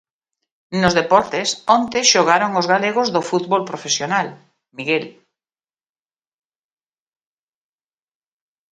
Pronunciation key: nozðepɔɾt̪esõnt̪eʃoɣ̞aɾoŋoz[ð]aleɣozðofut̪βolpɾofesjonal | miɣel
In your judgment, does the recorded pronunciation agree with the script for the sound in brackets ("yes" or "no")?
no